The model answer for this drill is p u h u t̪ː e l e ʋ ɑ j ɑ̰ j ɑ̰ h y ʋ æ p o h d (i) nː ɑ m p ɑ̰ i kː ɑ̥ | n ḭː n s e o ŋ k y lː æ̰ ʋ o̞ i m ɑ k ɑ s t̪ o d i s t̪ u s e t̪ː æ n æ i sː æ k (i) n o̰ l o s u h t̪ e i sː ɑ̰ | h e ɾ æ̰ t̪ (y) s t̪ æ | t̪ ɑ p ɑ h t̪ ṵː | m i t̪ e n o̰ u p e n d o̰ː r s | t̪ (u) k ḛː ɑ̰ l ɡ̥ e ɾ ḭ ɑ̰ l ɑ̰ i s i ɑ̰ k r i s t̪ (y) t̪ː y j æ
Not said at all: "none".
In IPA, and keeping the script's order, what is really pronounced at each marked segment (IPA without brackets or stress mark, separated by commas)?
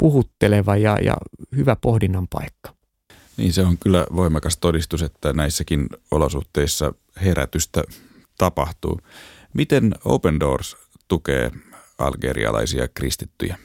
i, i, y, u, i